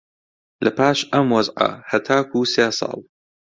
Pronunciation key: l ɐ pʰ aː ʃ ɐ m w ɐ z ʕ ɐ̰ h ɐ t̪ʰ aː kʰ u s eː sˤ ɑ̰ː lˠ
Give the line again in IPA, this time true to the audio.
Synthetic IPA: l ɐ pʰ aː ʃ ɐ m w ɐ z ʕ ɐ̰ h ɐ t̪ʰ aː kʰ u s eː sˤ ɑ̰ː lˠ